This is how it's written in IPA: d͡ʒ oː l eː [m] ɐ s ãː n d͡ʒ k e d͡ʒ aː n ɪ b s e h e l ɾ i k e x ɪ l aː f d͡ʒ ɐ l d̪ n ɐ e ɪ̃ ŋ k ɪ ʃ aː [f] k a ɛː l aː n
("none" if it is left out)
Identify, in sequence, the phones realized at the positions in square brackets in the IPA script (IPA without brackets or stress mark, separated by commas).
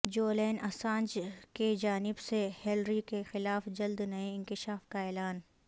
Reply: n, f